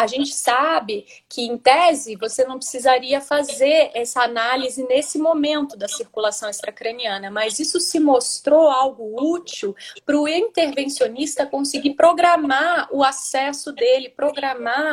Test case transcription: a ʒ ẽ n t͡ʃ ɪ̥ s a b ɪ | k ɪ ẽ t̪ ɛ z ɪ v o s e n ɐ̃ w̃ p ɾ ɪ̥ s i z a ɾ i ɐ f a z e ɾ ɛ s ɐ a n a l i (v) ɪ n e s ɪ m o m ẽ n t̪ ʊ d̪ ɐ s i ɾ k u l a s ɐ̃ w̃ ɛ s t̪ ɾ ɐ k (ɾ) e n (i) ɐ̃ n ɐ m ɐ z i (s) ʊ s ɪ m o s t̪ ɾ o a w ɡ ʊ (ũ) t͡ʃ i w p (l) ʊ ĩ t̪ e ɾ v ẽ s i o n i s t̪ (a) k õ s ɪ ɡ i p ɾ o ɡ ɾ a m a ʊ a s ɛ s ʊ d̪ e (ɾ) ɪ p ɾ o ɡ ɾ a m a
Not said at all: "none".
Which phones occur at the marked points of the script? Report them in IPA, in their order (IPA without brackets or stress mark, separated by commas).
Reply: z, ɾ, i, s, u, ɾ, ɐ, l